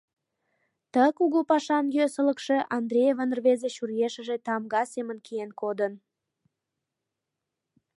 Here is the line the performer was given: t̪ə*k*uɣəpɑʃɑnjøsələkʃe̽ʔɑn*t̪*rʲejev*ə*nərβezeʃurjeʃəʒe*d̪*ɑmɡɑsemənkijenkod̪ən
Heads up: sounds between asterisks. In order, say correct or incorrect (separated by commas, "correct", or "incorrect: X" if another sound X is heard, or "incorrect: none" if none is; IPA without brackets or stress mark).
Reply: correct, incorrect: d̪, correct, incorrect: t̪